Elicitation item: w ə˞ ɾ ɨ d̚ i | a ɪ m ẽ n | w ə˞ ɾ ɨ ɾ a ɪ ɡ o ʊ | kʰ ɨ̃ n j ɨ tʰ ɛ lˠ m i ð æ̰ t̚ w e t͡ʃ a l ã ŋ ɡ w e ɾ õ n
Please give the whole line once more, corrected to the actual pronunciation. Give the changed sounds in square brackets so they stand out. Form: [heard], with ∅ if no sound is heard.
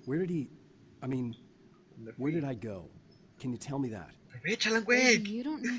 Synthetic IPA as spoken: w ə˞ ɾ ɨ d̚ i | a ɪ m [ĩ] n | w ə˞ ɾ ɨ ɾ a ɪ ɡ o ʊ | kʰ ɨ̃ n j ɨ tʰ ɛ lˠ m i ð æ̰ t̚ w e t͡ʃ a l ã ŋ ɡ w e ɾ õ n